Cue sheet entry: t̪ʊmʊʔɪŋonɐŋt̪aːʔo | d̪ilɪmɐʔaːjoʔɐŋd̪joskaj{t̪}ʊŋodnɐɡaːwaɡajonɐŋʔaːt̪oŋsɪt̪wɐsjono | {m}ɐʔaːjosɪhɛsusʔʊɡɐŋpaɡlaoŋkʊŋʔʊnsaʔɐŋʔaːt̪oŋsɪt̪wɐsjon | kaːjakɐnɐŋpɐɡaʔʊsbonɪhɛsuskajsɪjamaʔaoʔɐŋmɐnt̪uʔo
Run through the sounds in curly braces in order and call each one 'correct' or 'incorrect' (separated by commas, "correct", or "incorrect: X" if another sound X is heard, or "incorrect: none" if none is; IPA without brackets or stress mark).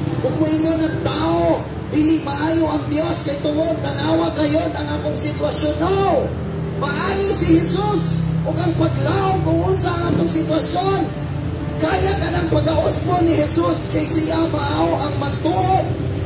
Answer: correct, correct